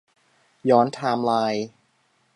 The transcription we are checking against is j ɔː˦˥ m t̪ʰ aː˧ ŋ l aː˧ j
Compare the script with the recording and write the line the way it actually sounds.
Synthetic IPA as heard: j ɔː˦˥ n t̪ʰ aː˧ m l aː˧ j